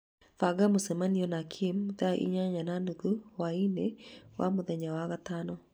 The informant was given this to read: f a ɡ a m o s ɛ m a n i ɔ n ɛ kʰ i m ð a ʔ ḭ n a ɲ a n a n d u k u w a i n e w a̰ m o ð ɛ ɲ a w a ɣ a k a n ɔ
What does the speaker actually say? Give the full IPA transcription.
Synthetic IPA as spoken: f a ɡ a m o s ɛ m a n i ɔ n a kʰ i m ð a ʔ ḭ ɲ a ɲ a n a n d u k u w a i n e w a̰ m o ð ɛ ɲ a w a ɣ a t a n ɔ